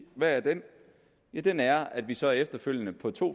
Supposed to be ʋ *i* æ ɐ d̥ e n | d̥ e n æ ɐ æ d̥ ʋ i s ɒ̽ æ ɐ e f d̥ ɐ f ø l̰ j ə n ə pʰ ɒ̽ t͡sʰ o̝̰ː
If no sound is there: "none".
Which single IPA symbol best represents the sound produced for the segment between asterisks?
æ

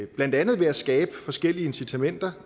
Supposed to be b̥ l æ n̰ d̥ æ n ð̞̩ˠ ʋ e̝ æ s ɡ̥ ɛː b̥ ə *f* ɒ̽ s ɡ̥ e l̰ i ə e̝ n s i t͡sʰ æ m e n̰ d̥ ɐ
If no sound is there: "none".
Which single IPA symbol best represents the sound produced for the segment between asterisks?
f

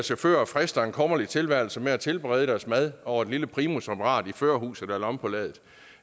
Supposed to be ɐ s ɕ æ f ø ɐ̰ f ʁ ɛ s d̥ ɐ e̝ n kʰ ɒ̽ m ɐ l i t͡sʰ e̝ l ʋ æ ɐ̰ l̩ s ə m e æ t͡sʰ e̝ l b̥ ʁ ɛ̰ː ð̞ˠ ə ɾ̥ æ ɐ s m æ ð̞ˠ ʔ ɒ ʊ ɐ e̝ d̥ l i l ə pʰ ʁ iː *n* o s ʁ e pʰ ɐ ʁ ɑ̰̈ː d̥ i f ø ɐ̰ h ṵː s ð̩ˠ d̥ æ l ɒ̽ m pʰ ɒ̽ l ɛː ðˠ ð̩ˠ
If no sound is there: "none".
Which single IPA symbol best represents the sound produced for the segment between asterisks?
m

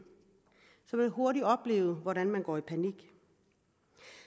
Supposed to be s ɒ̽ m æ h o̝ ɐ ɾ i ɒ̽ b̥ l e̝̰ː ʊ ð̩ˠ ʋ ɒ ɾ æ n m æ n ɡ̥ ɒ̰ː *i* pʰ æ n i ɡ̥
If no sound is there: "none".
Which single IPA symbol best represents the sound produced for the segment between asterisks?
i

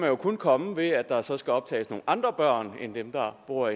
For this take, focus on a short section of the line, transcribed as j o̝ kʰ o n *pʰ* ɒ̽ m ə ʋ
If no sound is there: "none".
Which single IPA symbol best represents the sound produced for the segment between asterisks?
kʰ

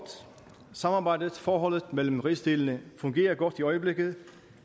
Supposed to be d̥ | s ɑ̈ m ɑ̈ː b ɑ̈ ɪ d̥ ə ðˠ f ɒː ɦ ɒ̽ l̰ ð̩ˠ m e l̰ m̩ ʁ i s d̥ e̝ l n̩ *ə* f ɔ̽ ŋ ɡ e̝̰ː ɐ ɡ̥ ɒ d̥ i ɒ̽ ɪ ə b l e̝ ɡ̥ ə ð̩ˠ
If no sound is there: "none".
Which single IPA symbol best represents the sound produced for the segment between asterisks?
ə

